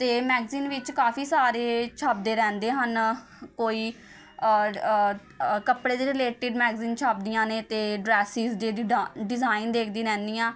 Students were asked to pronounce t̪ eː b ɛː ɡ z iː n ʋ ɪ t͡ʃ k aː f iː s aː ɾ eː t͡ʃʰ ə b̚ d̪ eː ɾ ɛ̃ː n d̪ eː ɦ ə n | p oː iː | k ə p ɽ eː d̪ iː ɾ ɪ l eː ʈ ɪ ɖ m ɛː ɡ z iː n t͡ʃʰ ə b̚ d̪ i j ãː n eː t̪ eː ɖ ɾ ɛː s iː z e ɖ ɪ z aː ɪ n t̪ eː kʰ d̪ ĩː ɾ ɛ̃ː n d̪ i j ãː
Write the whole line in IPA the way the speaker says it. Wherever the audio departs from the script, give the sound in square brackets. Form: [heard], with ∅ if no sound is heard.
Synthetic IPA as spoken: t̪ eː [m] ɛː ɡ z iː n ʋ ɪ t͡ʃ k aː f iː s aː ɾ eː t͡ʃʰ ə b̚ d̪ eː ɾ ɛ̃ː n d̪ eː ɦ ə n | [k] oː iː | k ə p ɽ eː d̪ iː ɾ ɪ l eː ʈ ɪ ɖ m ɛː ɡ z iː n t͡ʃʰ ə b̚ d̪ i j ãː n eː t̪ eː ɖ ɾ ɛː s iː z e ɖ ɪ z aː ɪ n [d̪] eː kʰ d̪ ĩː ɾ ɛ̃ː n d̪ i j ãː